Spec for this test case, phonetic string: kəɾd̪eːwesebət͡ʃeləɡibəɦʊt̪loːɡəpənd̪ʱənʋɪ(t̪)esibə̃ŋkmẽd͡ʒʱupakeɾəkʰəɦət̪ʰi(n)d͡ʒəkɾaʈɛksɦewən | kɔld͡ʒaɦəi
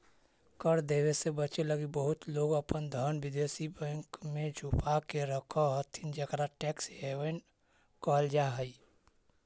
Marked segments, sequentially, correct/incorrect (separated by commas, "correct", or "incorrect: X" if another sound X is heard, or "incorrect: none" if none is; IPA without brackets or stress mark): incorrect: d̪, correct